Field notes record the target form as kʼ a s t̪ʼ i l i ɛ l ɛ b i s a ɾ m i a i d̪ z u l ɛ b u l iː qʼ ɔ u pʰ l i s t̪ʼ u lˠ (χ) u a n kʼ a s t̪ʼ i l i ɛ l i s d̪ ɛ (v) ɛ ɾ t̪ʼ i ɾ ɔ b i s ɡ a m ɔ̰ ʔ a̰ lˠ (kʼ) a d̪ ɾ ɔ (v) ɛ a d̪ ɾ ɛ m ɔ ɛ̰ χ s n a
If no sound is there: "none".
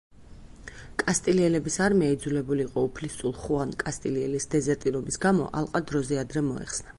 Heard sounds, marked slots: χ, z, qʼ, z

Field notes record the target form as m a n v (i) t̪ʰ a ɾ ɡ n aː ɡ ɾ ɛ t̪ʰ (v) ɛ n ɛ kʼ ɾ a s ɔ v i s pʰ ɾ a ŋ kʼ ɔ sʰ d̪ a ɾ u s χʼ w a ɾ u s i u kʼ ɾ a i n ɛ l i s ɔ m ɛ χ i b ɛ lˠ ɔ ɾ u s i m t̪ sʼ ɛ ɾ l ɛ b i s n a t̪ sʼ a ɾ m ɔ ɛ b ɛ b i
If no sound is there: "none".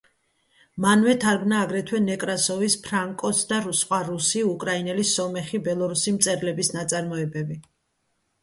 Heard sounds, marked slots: ɛ, w

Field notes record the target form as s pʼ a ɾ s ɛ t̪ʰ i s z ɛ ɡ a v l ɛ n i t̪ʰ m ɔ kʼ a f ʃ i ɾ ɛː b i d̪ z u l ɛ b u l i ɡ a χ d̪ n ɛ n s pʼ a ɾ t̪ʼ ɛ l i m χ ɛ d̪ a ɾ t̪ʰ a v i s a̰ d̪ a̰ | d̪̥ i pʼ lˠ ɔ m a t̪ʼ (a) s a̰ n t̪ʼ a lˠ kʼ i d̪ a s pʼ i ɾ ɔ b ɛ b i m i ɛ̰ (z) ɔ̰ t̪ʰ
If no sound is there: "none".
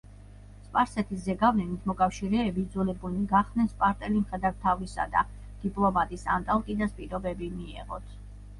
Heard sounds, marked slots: i, ʁ

